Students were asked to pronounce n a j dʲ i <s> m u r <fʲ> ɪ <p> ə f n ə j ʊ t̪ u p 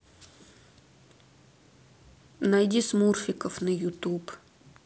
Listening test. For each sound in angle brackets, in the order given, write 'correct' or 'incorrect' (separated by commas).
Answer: correct, correct, incorrect